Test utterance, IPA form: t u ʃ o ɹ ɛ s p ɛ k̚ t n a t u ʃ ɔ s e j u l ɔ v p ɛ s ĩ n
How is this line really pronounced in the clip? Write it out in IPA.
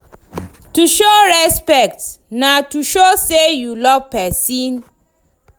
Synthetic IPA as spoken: t u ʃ o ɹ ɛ s p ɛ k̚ t n a t u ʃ o s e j u l ɔ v p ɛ s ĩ n